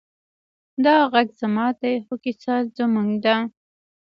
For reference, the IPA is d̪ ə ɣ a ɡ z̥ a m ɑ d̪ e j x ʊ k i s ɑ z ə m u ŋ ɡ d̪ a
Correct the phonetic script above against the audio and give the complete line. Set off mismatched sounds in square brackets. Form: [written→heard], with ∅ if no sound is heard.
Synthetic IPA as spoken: d̪ [ə→ɑ] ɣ a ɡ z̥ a m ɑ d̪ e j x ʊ k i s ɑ z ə m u ŋ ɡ d̪ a